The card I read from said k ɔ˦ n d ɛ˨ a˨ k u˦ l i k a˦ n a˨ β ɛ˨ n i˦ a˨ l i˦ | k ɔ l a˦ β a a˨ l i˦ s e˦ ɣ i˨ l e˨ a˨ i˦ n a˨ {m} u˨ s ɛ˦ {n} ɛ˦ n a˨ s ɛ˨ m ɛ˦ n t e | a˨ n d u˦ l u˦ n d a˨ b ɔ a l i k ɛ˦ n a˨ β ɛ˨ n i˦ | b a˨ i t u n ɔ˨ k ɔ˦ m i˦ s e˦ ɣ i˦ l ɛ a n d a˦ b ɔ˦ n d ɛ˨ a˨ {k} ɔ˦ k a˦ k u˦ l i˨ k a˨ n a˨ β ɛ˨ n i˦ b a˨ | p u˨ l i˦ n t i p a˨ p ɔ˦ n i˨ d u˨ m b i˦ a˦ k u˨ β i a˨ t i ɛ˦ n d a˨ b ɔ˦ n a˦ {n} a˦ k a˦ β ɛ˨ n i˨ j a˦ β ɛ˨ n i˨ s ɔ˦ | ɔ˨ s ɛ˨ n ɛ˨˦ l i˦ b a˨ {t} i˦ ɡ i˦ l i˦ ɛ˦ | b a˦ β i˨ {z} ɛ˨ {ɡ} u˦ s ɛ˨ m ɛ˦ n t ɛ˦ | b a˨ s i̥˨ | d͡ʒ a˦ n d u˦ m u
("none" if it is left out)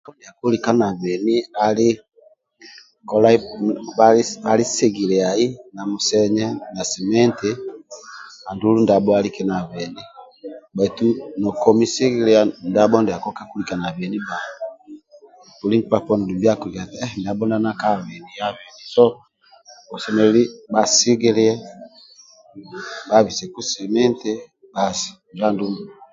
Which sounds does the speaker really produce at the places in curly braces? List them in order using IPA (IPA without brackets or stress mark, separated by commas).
m, ɲ, k, n, s, s, k